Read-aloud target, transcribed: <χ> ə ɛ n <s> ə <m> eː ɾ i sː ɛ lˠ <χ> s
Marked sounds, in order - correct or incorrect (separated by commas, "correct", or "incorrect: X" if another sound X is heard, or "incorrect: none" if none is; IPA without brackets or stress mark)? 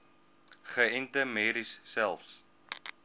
correct, incorrect: t, correct, incorrect: f